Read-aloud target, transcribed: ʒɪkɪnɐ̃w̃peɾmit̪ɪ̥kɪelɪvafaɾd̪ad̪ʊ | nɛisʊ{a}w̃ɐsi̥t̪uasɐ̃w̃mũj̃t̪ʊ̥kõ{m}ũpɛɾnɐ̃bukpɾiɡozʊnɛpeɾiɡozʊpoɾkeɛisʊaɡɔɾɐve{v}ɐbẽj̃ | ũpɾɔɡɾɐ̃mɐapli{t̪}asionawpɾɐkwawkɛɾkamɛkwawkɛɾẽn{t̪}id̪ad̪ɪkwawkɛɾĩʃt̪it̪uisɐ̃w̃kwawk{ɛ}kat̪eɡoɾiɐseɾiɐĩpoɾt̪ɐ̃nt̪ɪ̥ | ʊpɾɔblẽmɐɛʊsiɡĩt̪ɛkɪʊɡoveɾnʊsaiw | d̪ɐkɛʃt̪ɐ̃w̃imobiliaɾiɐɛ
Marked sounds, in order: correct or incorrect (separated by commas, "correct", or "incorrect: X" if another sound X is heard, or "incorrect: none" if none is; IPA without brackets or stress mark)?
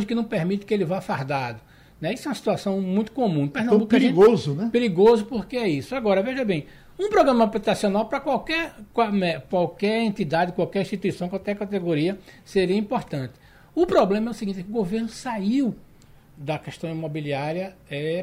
incorrect: ɛ, correct, incorrect: ʒ, correct, correct, correct